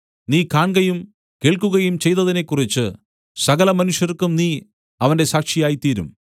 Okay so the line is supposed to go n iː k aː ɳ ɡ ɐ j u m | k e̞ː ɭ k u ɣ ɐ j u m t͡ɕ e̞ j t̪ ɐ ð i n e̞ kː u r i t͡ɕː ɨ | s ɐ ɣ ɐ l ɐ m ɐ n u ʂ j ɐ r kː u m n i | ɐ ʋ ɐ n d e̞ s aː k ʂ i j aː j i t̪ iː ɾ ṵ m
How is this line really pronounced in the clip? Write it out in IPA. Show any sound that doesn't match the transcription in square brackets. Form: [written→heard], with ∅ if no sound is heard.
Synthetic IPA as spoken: n iː k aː ɳ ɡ ɐ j u m | k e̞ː ɭ k u ɣ ɐ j u m t͡ɕ e̞ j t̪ ɐ ð i n e̞ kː u r i t͡ɕː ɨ | s ɐ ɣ ɐ l ɐ m ɐ n u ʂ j ɐ r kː u m n [i→iː] | ɐ ʋ ɐ n d e̞ s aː k ʂ i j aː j i t̪ iː ɾ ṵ m